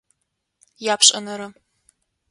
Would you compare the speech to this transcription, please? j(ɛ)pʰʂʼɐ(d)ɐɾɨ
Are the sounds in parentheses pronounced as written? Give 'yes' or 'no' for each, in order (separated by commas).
no, no